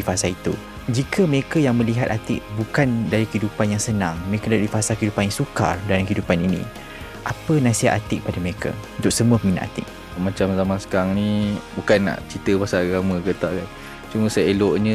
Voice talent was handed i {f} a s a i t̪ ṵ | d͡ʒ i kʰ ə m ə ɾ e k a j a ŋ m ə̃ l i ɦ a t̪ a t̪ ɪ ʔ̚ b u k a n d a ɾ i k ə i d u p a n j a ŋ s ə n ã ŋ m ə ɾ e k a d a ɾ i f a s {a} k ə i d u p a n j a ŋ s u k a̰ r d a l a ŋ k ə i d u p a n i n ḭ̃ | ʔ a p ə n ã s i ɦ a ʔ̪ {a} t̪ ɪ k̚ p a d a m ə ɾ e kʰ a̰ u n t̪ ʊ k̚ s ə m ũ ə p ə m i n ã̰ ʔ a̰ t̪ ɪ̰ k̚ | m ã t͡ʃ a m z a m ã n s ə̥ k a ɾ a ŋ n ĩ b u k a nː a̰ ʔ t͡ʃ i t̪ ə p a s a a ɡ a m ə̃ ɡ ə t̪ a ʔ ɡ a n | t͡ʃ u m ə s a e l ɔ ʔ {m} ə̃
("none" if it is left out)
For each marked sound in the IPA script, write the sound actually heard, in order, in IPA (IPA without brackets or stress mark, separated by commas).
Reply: f, a, a, ɲ